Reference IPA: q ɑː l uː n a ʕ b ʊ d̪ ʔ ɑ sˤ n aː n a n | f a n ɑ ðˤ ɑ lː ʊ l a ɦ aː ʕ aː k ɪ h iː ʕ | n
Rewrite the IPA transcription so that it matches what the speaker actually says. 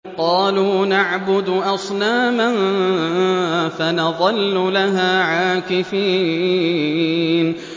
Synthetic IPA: q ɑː l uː n a ʕ b ʊ d̪ ʔ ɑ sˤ n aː m a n | f a n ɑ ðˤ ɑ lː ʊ l a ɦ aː ʕ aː k ɪ f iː | n

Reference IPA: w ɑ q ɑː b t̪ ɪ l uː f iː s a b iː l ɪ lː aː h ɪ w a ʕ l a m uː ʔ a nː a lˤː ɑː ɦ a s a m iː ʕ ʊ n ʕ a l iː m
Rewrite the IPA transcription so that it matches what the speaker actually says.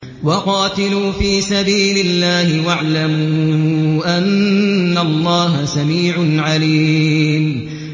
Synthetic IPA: w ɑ q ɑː t̪ ɪ l uː f iː s a b iː l ɪ lː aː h ɪ w a ʕ l a m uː ʔ a nː a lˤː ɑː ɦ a s a m iː ʕ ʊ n ʕ a l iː m

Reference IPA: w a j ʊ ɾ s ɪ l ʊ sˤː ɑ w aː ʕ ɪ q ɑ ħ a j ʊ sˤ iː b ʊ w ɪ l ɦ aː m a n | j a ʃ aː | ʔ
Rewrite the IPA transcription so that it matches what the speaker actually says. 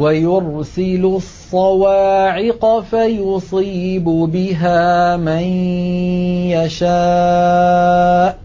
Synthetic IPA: w a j ʊ ɾ s ɪ l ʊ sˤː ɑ w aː ʕ ɪ q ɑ f a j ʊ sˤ iː b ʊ b ɪ ɦ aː m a n | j a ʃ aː | ʔ

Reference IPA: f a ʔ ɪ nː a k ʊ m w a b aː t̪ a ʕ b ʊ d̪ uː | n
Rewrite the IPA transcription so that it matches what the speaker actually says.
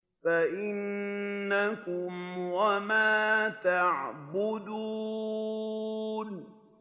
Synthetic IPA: f a ʔ ɪ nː a k ʊ m w a m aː t̪ a ʕ b ʊ d̪ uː | n

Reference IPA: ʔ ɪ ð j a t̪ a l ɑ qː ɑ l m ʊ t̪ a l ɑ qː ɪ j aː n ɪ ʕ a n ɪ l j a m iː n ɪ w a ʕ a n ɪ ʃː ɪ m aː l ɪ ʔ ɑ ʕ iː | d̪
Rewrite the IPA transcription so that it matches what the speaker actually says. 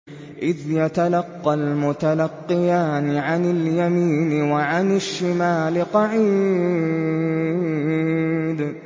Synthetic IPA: ʔ ɪ ð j a t̪ a l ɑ qː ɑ l m ʊ t̪ a l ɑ qː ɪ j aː n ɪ ʕ a n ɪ l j a m iː n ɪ w a ʕ a n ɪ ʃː ɪ m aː l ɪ q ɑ ʕ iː | d̪

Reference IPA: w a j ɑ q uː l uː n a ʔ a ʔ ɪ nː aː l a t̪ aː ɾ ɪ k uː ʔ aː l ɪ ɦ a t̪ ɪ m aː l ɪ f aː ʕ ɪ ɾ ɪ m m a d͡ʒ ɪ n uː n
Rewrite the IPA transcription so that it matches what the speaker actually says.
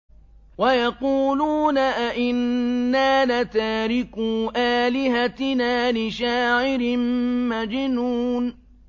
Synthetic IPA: w a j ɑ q uː l uː n a ʔ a ʔ ɪ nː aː l a t̪ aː ɾ ɪ k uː ʔ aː l ɪ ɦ a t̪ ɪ n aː l ɪ ʃ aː ʕ ɪ ɾ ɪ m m a d͡ʒ ɪ n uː n

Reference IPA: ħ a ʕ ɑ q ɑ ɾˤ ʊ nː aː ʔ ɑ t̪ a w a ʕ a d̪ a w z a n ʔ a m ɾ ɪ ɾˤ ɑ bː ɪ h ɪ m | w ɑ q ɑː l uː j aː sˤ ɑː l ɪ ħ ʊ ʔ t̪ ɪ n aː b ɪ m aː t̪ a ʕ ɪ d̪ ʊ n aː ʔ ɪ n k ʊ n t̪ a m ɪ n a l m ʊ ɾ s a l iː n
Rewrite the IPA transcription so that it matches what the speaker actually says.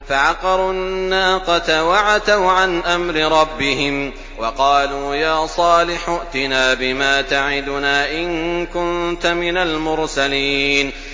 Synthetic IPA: f a ʕ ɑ q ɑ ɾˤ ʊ nː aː q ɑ t̪ a w a ʕ a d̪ a w ʕ a n ʔ a m ɾ ɪ ɾˤ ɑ bː ɪ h ɪ m | w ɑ q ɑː l uː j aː sˤ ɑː l ɪ ħ ʊ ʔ t̪ ɪ n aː b ɪ m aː t̪ a ʕ ɪ d̪ ʊ n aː ʔ ɪ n k ʊ n t̪ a m ɪ n a l m ʊ ɾ s a l iː n

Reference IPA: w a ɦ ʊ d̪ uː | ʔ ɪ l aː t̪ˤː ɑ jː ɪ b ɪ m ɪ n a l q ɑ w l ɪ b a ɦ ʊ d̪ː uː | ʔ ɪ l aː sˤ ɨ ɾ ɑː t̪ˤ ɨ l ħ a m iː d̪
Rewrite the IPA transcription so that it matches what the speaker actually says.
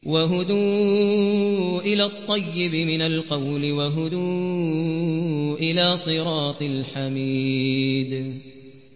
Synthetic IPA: w a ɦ ʊ d̪ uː | ʔ ɪ l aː t̪ˤː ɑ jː ɪ b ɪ m ɪ n a l q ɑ w l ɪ w a ɦ ʊ d̪ uː | ʔ ɪ l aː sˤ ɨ ɾ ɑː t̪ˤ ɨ l ħ a m iː d̪

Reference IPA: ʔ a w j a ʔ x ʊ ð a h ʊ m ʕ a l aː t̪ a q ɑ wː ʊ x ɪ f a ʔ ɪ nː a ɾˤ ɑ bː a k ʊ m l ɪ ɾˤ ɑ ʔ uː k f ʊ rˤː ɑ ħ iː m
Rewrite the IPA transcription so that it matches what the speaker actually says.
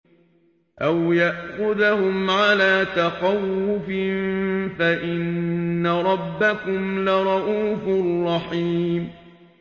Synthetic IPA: ʔ a w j a ʔ x ʊ ð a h ʊ m ʕ a l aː t̪ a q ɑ wː ʊ f ɪ f a ʔ ɪ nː a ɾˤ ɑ bː a k ʊ m l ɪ ɾˤ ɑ ʔ uː f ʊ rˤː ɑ ħ iː m

